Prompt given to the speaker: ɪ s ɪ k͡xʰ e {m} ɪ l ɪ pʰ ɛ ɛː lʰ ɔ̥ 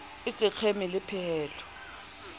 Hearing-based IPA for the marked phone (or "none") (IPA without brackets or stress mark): m